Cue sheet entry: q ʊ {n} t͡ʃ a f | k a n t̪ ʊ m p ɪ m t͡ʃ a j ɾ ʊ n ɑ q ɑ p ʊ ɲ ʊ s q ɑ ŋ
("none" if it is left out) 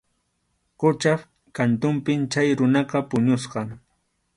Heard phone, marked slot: none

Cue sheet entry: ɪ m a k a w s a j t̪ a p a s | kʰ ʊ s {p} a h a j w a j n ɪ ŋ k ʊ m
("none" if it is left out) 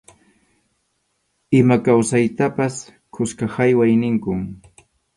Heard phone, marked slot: k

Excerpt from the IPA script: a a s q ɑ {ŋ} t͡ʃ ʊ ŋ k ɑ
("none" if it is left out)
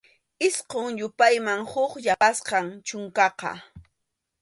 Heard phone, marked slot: ŋ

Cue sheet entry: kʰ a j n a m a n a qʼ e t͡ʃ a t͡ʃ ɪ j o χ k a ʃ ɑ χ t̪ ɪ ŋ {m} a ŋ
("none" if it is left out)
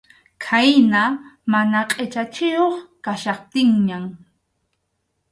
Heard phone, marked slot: ɲ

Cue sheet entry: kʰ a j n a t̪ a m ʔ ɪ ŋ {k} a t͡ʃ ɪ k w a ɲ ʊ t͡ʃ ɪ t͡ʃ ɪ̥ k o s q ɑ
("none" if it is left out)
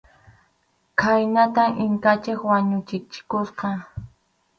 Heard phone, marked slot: k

